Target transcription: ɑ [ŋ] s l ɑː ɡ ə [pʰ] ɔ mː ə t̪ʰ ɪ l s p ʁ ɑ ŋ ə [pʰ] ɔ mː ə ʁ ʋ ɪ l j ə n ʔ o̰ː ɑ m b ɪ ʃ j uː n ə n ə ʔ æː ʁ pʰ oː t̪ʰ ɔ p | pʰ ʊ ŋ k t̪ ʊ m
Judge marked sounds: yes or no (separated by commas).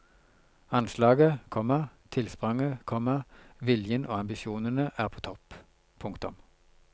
no, no, no